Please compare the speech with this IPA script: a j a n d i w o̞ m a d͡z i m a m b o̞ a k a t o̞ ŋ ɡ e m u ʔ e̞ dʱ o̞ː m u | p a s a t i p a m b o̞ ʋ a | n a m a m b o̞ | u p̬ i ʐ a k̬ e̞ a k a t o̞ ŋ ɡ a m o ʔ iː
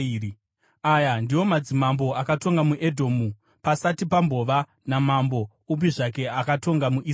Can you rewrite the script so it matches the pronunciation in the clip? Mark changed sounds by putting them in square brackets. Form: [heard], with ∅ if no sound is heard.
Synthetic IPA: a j a n d i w o̞ m a d͡z i m a m b o̞ a k a t o̞ ŋ ɡ [a] m u ʔ e̞ dʱ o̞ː m u | p a s a t i p a m b o̞ ʋ a | n a m a m b o̞ | u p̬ i ʐ a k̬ e̞ a k a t o̞ ŋ ɡ a m [u] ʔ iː